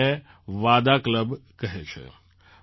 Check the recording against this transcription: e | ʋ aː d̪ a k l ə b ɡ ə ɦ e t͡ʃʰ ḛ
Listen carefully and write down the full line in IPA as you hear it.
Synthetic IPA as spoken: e | ʋ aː d̪ a k l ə b k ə ɦ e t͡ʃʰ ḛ

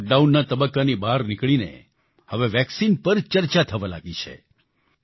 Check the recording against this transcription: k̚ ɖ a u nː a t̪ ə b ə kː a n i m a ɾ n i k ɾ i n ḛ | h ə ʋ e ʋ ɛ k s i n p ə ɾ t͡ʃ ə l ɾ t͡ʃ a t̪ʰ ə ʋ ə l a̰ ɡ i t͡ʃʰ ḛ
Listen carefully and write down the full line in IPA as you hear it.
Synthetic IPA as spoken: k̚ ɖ a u nː a t̪ ə b ə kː a n i b a ɾ n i k ɭ i n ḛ | h ə ʋ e ʋ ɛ k s i n p ə ɾ t͡ʃ ə ɾ t͡ʃ a t̪ʰ ə ʋ a l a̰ ɡ i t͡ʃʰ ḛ

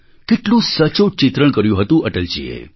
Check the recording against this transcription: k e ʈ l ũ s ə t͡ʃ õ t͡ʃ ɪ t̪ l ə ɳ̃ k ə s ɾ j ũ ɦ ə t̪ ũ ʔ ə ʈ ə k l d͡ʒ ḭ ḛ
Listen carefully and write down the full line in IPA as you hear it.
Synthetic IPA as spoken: k e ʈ l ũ s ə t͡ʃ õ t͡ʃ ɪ t̪ ɾ ə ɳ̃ k ə ɾ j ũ ɦ ə t̪ ũ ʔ ə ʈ ə l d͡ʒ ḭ ḛ

